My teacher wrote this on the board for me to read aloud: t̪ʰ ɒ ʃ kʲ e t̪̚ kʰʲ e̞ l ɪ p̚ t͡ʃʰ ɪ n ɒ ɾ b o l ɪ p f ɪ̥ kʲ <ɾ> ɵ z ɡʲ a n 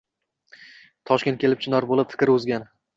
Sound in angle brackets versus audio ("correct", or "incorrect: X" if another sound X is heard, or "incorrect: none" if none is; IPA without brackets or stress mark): correct